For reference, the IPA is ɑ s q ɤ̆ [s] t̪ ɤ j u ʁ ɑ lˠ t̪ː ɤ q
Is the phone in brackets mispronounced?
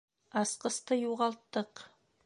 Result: no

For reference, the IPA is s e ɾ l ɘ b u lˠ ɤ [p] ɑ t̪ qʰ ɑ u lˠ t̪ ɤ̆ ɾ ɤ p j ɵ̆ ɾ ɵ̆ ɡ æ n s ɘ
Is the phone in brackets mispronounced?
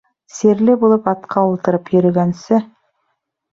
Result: no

